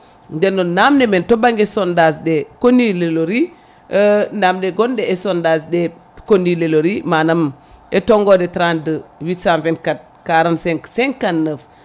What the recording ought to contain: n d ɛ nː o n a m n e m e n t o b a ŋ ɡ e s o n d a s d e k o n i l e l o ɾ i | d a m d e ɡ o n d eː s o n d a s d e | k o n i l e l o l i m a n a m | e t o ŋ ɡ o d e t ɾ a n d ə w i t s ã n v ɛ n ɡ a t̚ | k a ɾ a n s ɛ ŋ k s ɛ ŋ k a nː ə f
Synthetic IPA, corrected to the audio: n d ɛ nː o n a m n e m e n t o b a ŋ ɡ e s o n d a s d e k o n i l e l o ɾ i | n a m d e ɡ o n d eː s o n d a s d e | k o n i l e l o ɾ i m a n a m | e t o ŋ ɡ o d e t ɾ a n d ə w i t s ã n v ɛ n k a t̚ | k a ɾ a n s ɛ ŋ k s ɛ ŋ k a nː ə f